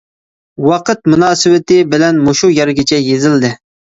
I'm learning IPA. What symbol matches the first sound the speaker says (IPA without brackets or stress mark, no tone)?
w